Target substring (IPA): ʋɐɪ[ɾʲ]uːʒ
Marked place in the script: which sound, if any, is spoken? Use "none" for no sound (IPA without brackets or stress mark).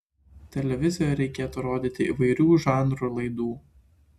ɾʲ